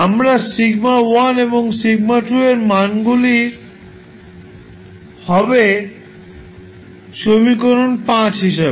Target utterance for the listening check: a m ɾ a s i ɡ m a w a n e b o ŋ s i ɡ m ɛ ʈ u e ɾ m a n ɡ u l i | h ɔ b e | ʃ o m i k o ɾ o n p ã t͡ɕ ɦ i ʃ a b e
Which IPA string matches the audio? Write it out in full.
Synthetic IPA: a m ɾ a s i ɡ m a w a n e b o ŋ s i ɡ m a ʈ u e ɾ m a n ɡ u l i | h ɔ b e | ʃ o m i k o ɾ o n p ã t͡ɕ ɦ i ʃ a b e

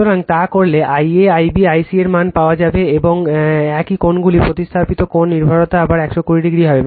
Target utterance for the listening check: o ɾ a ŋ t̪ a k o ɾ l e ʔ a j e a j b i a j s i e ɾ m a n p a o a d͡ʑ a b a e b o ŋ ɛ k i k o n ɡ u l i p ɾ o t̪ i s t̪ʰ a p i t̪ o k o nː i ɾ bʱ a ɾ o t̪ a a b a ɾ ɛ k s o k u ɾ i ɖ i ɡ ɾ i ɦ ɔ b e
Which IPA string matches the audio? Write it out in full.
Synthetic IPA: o ɾ a ŋ t̪ a k o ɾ l e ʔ a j e a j b i a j s i e ɾ m a n p a o a d͡ʑ a b e e b o ŋ ɛ k i k o n ɡ u l i p ɾ o t̪ i s t̪ʰ a p i t̪ o k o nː i ɾ bʱ a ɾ o t̪ a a b a ɾ ɛ k ʃ o k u ɾ i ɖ i ɡ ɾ i ɦ ɔ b e

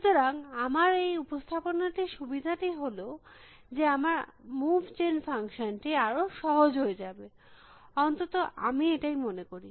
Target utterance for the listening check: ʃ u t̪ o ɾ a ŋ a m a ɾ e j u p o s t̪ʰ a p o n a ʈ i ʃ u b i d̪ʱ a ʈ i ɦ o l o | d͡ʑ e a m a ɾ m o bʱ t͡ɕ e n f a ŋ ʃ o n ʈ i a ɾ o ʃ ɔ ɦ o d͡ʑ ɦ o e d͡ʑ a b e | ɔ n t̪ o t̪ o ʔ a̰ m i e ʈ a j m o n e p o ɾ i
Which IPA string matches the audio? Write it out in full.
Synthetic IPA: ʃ u t̪ o ɾ a ŋ a m a ɾ e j u p o s t̪ʰ a p o n a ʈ i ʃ u b i d̪ʱ a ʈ i ɦ o l o | d͡ʑ e a m a ɾ m u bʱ t͡ɕ e n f a ŋ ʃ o n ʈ i a ɾ o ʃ ɔ ɦ o d͡ʑ ɦ o e d͡ʑ a b e | ɔ n t̪ o t̪ o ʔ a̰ m i e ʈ a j m o n e k o ɾ i

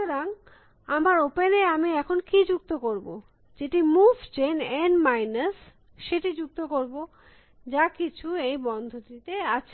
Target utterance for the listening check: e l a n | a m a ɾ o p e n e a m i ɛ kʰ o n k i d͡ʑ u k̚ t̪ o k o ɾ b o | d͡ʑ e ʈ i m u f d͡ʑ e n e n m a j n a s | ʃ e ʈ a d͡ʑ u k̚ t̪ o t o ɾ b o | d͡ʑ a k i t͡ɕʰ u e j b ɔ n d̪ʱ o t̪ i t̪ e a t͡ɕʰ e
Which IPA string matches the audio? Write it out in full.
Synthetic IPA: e ɾ a ŋ | a m a ɾ o p e n e a m i ɛ kʰ o n k i d͡ʑ u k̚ t̪ o k o ɾ b o | d͡ʑ e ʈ i m u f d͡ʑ e n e n m a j n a s | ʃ e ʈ i d͡ʑ u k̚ t̪ o k o ɾ b o | d͡ʑ a k i t͡ɕʰ u e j b ɔ n d̪ʱ o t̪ i t̪ e a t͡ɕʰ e

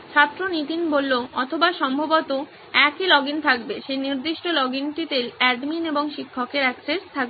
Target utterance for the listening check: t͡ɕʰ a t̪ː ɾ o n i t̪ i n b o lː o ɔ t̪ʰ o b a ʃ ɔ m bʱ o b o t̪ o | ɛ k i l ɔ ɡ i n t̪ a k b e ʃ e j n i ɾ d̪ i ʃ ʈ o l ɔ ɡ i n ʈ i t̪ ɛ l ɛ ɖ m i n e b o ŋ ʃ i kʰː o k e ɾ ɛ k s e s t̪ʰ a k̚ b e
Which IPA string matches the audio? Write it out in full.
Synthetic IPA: t͡ɕʰ a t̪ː ɾ o n i t̪ i n b o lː o ɔ t̪ʰ o b a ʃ ɔ m bʱ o b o t̪ o | ɛ k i l ɔ ɡ i n t̪ʰ a k b e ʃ e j n i ɾ d̪ i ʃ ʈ o l ɔ ɡ i n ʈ i t̪ e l ɛ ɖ m i n e b o ŋ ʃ i kʰː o k e ɾ ɛ k s e s t̪ʰ a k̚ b e

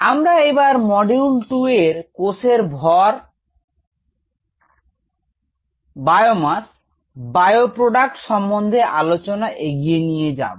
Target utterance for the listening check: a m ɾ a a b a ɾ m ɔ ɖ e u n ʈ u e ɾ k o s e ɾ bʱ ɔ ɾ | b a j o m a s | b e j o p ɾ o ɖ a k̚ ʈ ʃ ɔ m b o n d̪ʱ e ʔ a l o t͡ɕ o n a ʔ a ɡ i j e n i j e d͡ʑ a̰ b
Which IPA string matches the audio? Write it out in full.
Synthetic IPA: a m ɾ a e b a ɾ m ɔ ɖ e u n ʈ u e ɾ k o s e ɾ bʱ ɔ ɾ | b a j o m a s | b a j o p ɾ o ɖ a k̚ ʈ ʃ ɔ m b o n d̪ʱ e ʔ a l o t͡ɕ o n a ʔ e ɡ i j e n i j e d͡ʑ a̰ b

